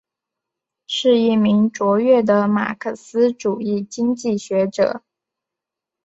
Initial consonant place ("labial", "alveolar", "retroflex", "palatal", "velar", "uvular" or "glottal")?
retroflex